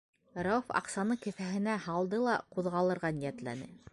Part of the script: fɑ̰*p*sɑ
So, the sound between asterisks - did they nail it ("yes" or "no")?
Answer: no